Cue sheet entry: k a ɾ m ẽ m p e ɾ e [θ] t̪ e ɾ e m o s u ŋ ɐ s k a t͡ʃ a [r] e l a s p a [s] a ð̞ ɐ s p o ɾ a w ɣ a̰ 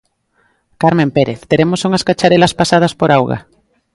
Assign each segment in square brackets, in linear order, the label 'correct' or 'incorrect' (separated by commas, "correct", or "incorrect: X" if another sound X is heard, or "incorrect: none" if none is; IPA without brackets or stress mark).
correct, incorrect: ɾ, correct